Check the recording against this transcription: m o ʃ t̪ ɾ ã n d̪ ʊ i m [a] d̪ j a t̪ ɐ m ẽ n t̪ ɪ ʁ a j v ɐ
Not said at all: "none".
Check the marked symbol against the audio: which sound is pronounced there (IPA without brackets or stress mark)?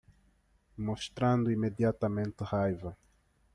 e